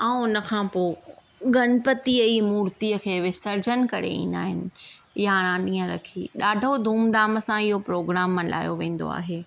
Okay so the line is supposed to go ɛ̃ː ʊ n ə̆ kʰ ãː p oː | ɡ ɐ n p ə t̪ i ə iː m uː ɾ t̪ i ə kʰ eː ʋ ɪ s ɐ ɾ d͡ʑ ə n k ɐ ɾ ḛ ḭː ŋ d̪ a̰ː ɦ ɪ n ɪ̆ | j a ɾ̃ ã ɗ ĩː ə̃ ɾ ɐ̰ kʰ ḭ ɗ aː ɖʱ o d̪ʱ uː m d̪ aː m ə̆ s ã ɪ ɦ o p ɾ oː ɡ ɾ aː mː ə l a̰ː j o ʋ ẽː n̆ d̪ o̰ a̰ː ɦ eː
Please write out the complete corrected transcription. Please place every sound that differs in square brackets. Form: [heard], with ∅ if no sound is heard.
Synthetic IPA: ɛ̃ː ʊ n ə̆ kʰ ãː p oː | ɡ ɐ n p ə t̪ i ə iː m uː ɾ t̪ i ə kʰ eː ʋ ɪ s ɐ ɾ d͡ʑ ə n k ɐ ɾ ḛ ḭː [n] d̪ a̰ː ɦ ɪ n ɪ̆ | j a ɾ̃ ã ɗ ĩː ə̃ ɾ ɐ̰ kʰ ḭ ɗ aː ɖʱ o d̪ʱ uː m d̪ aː m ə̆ s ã ɪ ɦ o p ɾ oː ɡ ɾ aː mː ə l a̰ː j o ʋ ẽː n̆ d̪ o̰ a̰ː ɦ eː

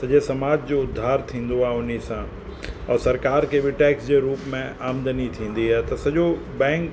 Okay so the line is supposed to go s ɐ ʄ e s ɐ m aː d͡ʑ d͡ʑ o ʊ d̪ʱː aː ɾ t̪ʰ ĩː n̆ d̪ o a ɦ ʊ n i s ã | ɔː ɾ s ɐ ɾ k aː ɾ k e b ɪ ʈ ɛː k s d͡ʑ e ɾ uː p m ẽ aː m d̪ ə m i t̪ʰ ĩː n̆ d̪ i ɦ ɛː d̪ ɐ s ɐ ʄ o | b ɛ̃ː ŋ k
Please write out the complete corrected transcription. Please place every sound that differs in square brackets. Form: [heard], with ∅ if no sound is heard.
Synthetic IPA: s ɐ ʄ e s ɐ m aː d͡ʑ d͡ʑ o ʊ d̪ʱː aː ɾ t̪ʰ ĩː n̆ d̪ o a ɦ ʊ n i s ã | ɔː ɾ s ɐ ɾ k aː ɾ k e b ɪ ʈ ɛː k s d͡ʑ e ɾ uː p m ẽ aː m d̪ ə [n] i t̪ʰ ĩː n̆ d̪ i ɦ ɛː [t̪] ɐ s ɐ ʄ o | b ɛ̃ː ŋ k

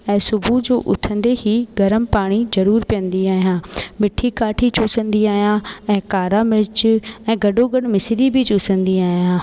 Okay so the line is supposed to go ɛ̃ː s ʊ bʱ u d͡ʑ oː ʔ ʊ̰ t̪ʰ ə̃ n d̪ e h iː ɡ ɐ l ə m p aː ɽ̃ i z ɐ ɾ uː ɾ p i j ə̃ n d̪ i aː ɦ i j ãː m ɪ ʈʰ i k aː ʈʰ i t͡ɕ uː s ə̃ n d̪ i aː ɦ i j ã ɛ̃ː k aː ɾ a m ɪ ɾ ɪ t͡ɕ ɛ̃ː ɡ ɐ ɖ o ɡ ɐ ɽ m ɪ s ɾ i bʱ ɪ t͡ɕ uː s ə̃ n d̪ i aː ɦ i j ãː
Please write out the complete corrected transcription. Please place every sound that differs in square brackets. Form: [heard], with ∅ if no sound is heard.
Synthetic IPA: ɛ̃ː s ʊ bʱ u d͡ʑ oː ʔ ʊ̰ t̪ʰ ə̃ n d̪ e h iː ɡ ɐ [ɾ] ə m p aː ɽ̃ i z ɐ ɾ uː ɾ p i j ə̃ n d̪ i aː ɦ i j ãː m ɪ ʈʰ i k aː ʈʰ i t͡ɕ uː s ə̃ n d̪ i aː ɦ i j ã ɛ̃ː k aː ɾ a m ɪ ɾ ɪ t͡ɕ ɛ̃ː ɡ ɐ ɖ o ɡ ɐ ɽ m ɪ s ɾ i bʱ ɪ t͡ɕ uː s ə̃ n d̪ i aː ɦ i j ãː

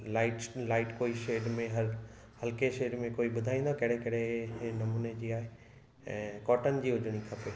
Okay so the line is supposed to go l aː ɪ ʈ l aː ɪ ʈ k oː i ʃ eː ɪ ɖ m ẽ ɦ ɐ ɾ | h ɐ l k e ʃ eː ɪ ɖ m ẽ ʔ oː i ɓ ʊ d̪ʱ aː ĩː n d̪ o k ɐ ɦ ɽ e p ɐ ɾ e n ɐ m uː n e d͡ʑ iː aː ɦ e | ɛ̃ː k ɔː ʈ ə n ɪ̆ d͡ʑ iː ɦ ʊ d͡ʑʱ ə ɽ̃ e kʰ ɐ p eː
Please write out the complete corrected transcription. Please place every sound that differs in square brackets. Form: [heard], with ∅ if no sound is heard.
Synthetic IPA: l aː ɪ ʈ l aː ɪ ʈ k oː i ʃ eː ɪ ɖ m ẽ ɦ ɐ ɾ | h ɐ l k e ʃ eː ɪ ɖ m ẽ [k] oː i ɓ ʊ d̪ʱ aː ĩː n d̪ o k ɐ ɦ ɽ e [k] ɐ [ɽ] e n ɐ m uː n e d͡ʑ iː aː ɦ e | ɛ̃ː k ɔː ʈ ə n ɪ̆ d͡ʑ iː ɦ ʊ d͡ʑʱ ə ɽ̃ [i] kʰ ɐ p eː

